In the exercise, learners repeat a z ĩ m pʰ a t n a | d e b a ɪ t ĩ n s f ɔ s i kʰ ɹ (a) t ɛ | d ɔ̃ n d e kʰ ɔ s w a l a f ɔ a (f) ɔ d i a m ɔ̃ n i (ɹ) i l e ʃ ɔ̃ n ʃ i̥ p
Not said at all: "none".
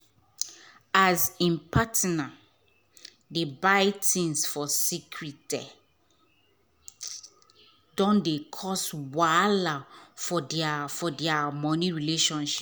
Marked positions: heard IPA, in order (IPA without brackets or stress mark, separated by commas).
i, f, ɹ